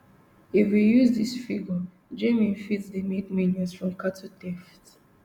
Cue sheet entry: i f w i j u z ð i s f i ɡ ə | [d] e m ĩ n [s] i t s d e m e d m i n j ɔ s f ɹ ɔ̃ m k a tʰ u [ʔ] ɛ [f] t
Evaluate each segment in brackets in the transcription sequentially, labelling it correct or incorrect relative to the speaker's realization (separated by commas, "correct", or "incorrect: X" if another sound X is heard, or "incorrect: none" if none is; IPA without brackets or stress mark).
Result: incorrect: d͡ʒ, incorrect: f, incorrect: t, correct